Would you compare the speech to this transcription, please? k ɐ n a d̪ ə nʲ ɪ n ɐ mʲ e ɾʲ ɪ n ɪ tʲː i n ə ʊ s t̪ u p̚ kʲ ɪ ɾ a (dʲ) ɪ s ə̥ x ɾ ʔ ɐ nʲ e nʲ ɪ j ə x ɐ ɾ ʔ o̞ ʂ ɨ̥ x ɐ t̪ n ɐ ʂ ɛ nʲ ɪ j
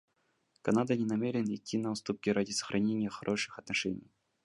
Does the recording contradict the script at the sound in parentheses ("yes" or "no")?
no